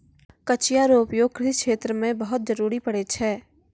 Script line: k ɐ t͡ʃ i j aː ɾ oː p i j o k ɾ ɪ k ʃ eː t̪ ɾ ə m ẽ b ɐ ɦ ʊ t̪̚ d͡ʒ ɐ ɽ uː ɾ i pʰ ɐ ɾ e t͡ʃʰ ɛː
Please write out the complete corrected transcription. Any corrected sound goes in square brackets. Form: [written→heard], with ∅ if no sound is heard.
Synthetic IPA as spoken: k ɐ t͡ʃ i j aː ɾ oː p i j o k ɾ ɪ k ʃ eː t̪ ɾ ə m ẽ b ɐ ɦ ʊ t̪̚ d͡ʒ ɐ [ɽ→ɾ] uː ɾ i [pʰ→p] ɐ [ɾ→ɽ] e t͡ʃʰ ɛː